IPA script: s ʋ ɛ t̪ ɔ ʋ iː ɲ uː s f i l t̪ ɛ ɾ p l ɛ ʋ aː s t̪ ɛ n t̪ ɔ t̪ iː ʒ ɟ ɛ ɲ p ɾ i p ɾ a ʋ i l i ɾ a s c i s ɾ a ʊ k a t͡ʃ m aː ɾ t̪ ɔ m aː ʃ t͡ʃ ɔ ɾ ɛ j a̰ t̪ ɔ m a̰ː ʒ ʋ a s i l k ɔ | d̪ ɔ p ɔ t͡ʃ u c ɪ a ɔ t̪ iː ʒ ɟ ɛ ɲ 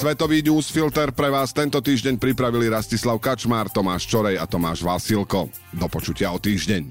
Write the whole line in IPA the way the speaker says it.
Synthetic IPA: s ʋ ɛ t̪ ɔ ʋ iː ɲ uː s f i l t̪ ɛ ɾ p ɾ ɛ ʋ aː s t̪ ɛ n t̪ ɔ t̪ iː ʒ ɟ ɛ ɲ p ɾ i p ɾ a ʋ i l i ɾ a s c i s l a ʊ k a t͡ʃ m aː ɾ t̪ ɔ m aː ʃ t͡ʃ ɔ ɾ ɛ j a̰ t̪ ɔ m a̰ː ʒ ʋ a s i l k ɔ | d̪ ɔ p ɔ t͡ʃ u c ɪ a ɔ t̪ iː ʒ ɟ ɛ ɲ